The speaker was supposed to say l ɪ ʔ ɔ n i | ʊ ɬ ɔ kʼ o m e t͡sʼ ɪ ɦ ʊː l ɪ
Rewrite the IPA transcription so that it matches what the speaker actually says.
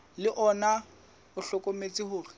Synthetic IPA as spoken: l ɪ ʔ ɔ n a | ʊ ɬ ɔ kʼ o m e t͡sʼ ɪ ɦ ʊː r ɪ